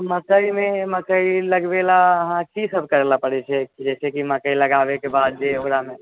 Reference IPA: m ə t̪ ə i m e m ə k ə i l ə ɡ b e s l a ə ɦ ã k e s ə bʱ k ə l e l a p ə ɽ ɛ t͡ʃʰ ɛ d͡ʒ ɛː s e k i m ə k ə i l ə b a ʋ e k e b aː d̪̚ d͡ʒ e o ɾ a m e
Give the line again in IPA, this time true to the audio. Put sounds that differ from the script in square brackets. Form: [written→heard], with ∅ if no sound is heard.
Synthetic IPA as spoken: m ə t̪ ə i m e m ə k ə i l ə ɡ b e [s→∅] l a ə ɦ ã k [e→i] s ə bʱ k ə [l→ɾ] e l a p ə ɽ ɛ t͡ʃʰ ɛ d͡ʒ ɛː s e k i m ə k ə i l ə [b→ɡ] a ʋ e k e b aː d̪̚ d͡ʒ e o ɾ a m e